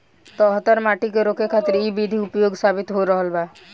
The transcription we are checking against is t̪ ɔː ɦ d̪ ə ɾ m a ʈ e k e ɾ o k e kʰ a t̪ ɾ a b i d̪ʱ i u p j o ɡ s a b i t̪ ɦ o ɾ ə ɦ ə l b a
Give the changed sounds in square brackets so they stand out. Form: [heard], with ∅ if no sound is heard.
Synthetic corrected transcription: t̪ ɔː ɦ [t̪] ə ɾ m a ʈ [i] k e ɾ o k e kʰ a t̪ ɾ [i] b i d̪ʱ i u p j o ɡ s a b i t̪ ɦ o ɾ ə ɦ ə l b a

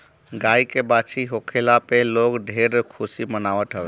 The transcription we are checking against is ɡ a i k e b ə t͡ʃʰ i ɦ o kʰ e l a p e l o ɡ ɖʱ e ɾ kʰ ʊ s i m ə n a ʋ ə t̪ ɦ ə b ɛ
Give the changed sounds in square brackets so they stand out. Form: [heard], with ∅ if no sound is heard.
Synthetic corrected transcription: ɡ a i k e b [a] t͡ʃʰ i ɦ o kʰ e l a p e l o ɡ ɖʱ e ɾ kʰ [u] s i m ə n a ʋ ə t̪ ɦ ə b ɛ

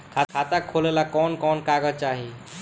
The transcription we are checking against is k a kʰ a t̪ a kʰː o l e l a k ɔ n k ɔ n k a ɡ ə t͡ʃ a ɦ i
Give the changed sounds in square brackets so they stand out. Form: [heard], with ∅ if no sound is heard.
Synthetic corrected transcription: [kʰ] a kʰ a t̪ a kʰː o l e l a k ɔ n k ɔ n k a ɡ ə t͡ʃ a ɦ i

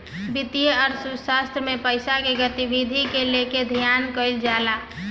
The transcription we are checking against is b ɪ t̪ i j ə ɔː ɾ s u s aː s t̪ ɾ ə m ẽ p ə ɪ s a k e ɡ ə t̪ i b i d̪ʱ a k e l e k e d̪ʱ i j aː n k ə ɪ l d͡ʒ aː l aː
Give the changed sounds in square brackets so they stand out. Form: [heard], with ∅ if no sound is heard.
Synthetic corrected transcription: b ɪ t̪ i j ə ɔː ɾ s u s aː s t̪ ɾ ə m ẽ p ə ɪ s a k e ɡ ə t̪ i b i d̪ʱ [i] k e l e k e d̪ʱ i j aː n k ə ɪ l d͡ʒ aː l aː

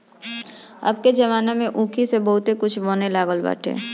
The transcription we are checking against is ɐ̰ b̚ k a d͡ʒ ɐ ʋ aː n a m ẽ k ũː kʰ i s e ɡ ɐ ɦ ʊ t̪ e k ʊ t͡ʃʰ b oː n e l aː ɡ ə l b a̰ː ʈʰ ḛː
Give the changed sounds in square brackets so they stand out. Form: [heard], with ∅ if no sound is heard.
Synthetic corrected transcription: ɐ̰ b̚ k [e] d͡ʒ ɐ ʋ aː n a m ẽ [ʔ] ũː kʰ i s e [b] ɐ ɦ ʊ t̪ e k ʊ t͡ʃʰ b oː n e l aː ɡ ə l b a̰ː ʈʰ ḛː

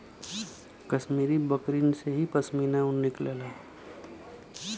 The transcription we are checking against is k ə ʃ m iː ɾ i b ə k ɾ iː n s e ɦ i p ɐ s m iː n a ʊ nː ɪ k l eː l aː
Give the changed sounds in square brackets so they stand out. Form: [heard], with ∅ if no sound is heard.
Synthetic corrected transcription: k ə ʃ m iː ɾ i b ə k ɾ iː n s e ɦ i p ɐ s m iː n a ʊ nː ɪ k l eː l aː

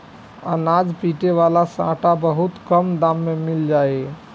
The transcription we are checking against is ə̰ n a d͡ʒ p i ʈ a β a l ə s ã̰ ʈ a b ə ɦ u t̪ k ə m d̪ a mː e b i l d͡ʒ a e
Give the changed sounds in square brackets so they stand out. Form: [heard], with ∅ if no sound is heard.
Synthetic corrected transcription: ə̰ n a d͡ʒ p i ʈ [e] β a l [a] s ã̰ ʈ a b ə ɦ u t̪ k ə m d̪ a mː e [m] i l d͡ʒ a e

